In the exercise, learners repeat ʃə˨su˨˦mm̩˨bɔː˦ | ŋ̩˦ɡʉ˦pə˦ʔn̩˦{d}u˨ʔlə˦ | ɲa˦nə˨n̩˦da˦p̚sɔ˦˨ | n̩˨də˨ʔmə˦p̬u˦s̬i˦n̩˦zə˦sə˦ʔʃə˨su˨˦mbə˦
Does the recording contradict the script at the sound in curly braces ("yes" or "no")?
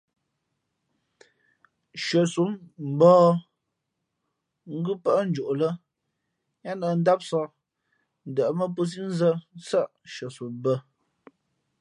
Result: yes